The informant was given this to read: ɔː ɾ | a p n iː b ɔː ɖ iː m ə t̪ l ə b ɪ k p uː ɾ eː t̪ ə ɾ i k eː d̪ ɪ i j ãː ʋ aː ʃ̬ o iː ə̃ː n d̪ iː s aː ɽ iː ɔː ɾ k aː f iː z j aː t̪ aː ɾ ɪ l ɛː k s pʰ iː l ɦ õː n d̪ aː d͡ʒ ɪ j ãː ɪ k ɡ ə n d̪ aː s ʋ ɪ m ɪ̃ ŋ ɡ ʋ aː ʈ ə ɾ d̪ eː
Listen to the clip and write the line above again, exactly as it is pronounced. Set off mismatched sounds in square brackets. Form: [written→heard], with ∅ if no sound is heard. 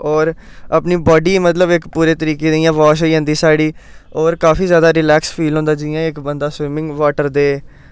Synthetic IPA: ɔː ɾ | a p n iː b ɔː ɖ iː m ə t̪ l ə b ɪ k p uː ɾ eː t̪ ə ɾ [i→iː] k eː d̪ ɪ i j ãː ʋ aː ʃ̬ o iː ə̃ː n d̪ iː s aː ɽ iː ɔː ɾ k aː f iː z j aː [t̪→d̪] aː ɾ ɪ l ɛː k s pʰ iː l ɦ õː n d̪ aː d͡ʒ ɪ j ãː ɪ k [ɡ→b] ə n d̪ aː s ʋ ɪ m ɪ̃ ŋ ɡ ʋ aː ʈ ə ɾ d̪ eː